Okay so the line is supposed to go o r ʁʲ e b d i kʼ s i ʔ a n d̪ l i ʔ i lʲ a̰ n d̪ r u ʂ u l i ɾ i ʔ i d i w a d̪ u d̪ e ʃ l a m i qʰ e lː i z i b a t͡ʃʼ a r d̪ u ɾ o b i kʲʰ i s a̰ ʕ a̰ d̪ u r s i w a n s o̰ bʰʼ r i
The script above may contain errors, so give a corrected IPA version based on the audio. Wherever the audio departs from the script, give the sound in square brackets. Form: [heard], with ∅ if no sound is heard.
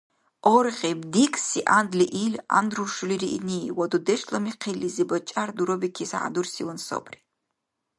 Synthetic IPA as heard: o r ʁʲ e b d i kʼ s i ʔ a n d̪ l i ʔ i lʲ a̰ n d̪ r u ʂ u l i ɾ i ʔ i [n] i w a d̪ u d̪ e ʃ l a m i qʰ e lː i z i b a t͡ʃʼ a r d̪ u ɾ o b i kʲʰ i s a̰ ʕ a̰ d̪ u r s i w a n s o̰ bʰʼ r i